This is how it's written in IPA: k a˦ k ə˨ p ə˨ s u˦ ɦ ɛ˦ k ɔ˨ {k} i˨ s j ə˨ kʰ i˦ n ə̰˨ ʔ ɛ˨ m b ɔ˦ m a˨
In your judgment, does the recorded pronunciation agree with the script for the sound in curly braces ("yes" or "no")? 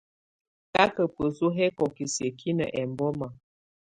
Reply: yes